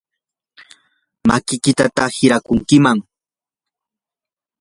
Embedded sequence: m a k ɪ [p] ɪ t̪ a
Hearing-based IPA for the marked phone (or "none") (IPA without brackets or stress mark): k